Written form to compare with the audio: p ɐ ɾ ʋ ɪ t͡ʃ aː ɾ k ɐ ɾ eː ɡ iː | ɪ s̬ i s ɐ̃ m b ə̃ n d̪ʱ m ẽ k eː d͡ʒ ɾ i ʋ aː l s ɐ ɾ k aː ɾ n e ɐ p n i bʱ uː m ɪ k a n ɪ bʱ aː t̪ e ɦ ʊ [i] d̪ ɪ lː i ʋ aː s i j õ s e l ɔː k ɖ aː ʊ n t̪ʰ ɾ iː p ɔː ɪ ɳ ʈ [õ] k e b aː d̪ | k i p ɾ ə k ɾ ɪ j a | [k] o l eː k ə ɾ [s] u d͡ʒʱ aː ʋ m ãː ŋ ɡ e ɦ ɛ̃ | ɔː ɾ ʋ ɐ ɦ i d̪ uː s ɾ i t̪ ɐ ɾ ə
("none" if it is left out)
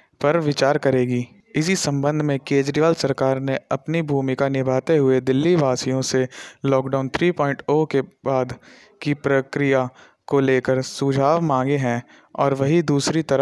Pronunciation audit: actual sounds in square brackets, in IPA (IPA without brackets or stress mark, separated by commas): e, o, k, s